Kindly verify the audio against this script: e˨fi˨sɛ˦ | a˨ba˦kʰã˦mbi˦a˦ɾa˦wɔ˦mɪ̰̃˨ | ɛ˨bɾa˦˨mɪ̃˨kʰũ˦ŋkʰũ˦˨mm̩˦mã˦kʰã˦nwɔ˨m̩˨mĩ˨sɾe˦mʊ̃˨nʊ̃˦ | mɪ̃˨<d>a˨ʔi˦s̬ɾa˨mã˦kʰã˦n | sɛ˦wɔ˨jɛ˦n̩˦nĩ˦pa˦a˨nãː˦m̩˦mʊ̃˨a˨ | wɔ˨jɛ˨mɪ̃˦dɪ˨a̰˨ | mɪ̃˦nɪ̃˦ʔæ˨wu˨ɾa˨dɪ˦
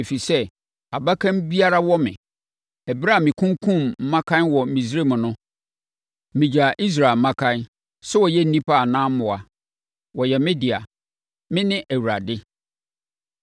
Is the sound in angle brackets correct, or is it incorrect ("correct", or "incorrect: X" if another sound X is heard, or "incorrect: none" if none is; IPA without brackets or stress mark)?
incorrect: d͡ʑ